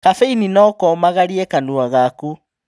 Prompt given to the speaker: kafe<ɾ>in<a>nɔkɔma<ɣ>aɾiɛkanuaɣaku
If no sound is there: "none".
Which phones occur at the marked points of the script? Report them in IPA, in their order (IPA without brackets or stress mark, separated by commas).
none, i, ɣ